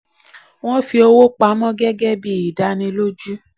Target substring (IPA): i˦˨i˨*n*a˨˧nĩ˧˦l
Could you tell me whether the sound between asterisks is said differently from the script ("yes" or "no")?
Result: yes